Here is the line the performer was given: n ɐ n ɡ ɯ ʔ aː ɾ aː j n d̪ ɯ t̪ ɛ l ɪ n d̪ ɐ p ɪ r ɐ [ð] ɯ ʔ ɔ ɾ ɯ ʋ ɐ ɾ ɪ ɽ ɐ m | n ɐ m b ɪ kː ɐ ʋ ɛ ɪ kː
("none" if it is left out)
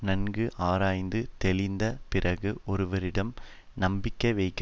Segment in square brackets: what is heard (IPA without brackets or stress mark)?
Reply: ɣ